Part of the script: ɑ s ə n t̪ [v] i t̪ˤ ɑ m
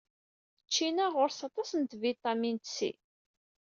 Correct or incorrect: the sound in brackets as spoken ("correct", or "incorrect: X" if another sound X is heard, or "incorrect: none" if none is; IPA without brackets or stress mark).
correct